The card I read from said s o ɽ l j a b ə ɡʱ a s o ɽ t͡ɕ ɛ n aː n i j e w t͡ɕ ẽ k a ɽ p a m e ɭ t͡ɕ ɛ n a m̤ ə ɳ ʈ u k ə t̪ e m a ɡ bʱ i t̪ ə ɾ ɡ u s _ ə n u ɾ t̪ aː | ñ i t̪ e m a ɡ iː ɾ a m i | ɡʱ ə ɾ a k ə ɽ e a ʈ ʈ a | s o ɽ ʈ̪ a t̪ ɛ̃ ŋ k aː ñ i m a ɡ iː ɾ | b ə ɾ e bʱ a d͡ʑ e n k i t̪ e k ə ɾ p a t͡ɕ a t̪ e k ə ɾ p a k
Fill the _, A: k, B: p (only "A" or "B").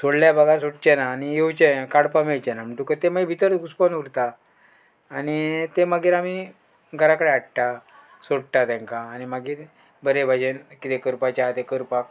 B